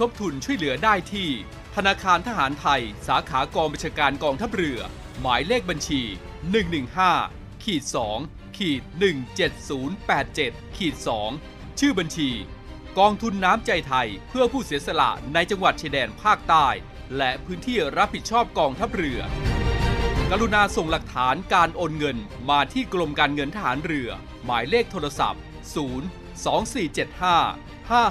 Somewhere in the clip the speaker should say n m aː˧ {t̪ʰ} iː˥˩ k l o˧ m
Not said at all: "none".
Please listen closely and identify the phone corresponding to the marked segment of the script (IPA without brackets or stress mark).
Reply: t̪ʰ